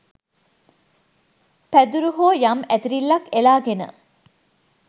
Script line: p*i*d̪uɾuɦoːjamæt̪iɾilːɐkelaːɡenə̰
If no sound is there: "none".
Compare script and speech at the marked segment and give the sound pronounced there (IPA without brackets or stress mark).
æ